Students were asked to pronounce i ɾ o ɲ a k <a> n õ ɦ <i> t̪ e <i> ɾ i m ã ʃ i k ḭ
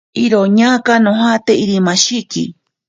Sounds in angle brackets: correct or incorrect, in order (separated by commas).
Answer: correct, incorrect, correct